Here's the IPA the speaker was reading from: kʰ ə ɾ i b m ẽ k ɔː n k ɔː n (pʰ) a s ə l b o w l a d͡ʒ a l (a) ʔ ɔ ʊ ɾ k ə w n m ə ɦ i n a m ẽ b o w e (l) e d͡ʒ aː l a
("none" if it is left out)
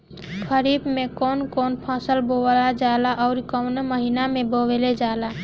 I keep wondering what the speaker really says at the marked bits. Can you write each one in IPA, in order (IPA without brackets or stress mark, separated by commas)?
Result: pʰ, a, l